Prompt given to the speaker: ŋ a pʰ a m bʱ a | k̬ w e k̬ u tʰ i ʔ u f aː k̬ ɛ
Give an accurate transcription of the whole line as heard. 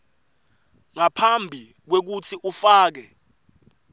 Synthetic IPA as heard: ŋ a pʰ a m bʱ i | k̬ w e k̬ u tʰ i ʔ u f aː k̬ ɛ